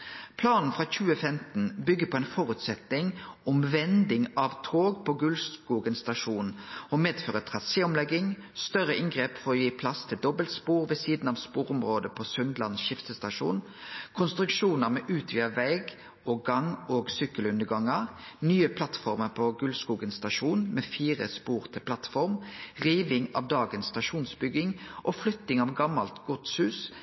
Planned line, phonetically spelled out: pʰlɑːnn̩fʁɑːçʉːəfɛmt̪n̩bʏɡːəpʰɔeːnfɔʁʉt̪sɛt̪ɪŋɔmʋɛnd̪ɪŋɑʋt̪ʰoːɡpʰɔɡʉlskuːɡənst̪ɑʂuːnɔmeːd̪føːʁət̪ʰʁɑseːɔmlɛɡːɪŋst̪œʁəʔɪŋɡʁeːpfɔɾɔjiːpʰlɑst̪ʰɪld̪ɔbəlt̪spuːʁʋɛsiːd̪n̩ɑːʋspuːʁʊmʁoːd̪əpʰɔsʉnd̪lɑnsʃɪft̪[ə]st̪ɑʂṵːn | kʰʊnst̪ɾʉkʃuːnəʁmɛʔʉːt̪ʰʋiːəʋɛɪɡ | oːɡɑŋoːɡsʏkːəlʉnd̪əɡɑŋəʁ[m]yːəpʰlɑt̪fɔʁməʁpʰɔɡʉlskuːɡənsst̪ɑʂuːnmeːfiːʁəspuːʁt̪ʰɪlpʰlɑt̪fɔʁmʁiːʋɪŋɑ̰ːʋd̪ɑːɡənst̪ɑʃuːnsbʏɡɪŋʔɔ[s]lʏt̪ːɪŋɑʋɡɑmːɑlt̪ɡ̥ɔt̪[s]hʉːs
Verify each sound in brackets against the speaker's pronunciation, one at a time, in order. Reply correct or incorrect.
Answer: correct, incorrect: n, incorrect: f, correct

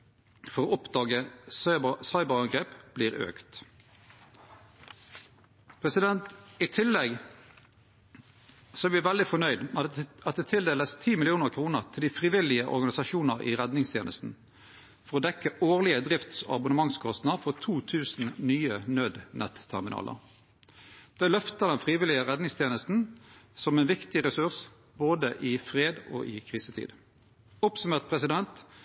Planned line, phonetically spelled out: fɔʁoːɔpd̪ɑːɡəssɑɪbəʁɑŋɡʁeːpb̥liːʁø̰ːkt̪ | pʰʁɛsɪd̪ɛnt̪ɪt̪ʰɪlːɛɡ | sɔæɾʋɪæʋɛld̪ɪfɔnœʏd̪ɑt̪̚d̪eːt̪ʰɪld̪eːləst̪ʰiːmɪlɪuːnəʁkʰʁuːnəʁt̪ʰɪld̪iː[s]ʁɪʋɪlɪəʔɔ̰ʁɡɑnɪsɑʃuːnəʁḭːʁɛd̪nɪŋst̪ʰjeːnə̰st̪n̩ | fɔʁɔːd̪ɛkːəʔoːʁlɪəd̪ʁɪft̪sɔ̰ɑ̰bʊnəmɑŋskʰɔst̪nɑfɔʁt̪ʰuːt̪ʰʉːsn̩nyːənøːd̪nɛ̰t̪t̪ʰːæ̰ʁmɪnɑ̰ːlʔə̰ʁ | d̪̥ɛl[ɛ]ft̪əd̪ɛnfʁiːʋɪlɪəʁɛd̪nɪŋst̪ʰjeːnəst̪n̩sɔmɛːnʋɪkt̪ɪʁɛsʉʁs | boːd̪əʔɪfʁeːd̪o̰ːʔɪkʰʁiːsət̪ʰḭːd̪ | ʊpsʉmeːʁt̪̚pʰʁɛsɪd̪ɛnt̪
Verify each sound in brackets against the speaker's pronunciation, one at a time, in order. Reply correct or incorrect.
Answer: incorrect: f, incorrect: œ

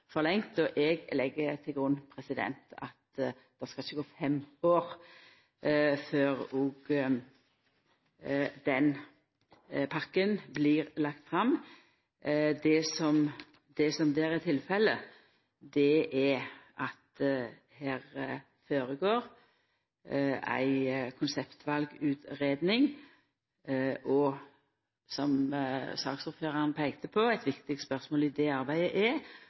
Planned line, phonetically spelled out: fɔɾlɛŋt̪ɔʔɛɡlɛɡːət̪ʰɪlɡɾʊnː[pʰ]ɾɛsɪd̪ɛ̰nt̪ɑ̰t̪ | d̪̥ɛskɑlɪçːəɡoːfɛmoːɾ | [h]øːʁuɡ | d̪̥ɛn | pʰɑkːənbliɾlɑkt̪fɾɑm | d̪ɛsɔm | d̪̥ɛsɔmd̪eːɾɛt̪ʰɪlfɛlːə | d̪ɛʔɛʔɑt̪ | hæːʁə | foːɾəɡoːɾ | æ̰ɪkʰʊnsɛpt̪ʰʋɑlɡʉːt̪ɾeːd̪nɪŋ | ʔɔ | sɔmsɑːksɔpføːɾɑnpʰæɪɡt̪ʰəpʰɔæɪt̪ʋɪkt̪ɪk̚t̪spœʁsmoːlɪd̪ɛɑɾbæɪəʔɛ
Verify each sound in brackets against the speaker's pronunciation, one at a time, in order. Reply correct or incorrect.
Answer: correct, incorrect: f

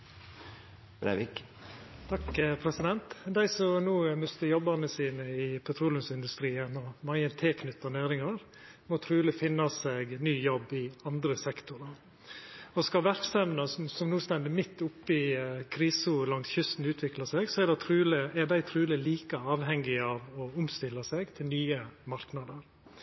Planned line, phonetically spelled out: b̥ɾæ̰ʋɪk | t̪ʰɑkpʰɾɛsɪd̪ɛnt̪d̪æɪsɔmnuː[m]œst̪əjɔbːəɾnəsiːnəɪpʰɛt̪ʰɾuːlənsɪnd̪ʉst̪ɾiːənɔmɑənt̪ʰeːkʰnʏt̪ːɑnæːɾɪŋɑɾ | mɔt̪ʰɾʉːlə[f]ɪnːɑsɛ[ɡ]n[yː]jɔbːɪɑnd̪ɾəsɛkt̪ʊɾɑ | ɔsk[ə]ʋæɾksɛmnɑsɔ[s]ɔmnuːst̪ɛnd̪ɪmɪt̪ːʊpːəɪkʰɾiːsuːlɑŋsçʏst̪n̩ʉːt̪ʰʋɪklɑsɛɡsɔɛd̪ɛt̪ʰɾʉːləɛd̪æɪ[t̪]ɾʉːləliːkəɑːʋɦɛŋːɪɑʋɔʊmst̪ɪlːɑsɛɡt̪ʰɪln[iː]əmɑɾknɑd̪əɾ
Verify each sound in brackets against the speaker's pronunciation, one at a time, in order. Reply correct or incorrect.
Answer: correct, correct, correct, correct, incorrect: ɑ, correct, incorrect: t̪ʰ, incorrect: yː

